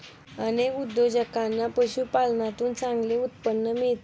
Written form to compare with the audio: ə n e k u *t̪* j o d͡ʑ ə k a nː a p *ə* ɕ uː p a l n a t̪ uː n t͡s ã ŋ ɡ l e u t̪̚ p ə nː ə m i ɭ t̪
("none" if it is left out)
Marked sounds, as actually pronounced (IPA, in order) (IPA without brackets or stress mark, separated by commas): d̪, ə